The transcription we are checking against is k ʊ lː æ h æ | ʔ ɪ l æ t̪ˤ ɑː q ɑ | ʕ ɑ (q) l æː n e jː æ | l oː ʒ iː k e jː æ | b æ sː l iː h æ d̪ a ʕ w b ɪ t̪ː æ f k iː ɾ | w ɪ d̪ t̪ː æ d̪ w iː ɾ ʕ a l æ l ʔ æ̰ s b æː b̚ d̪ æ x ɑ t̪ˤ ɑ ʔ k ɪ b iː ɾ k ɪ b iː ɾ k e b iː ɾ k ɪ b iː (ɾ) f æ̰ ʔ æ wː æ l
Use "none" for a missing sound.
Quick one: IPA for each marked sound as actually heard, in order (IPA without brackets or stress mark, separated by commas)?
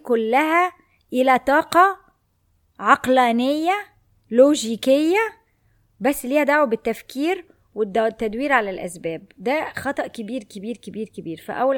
q, ɾ